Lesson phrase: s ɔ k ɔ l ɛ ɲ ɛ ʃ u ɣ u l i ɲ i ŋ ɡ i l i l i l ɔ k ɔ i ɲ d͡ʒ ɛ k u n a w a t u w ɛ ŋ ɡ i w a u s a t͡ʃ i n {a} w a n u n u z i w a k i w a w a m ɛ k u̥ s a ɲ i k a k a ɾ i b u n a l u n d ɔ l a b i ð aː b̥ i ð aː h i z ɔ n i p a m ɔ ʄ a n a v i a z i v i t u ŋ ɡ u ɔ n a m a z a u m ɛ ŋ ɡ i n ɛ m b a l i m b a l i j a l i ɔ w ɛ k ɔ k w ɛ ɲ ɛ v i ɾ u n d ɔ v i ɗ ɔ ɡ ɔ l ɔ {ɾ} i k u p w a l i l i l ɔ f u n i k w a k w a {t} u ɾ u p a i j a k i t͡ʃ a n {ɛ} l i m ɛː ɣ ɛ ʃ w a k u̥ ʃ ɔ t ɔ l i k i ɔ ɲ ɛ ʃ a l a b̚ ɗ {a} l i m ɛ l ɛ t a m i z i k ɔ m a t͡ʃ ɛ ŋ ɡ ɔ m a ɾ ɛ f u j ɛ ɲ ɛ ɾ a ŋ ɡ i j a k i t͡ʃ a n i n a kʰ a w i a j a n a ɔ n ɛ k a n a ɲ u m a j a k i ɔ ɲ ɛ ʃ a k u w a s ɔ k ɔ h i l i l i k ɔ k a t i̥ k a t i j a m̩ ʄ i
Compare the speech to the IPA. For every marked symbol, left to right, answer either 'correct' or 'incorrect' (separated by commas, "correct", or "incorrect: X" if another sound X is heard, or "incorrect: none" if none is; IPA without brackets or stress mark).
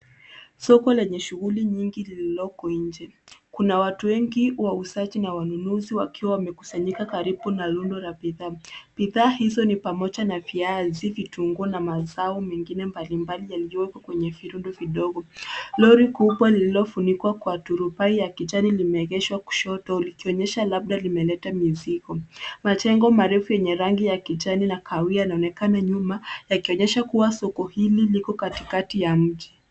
correct, correct, correct, incorrect: i, correct